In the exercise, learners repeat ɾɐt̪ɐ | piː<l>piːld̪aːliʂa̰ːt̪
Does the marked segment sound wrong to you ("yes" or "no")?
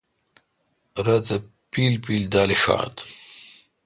no